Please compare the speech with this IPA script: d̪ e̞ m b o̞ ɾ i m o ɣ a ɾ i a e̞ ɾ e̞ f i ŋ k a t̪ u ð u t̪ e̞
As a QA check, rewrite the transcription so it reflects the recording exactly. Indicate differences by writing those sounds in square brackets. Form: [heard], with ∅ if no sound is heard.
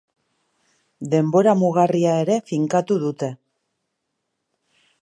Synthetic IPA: d̪ e̞ m b o̞ ɾ [a] m [u] ɣ a [r] i a e̞ ɾ e̞ f i ŋ k a t̪ u ð u t̪ e̞